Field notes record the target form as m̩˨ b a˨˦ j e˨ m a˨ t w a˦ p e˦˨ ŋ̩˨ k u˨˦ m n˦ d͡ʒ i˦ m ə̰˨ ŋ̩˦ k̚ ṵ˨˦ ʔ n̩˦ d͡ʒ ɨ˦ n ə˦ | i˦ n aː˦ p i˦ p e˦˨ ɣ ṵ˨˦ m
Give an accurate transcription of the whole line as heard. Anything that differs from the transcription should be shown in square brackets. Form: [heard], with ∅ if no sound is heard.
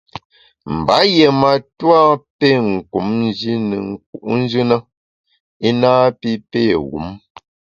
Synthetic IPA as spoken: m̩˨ b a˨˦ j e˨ m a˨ t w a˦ p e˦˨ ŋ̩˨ k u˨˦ m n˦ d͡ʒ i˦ [n] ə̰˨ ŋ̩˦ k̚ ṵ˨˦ ʔ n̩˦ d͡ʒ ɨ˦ n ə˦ | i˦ n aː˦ p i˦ p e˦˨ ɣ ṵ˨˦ m